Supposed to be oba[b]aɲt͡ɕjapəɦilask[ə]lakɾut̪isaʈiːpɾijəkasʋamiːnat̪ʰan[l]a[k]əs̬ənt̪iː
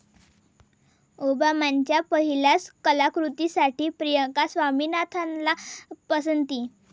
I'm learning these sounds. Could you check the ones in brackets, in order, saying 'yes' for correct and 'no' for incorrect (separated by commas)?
no, yes, yes, no